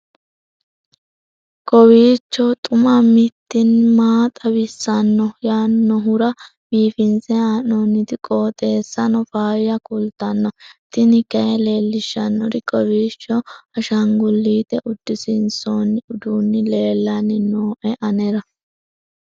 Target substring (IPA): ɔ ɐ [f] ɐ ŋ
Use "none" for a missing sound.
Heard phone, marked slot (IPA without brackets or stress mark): ʃ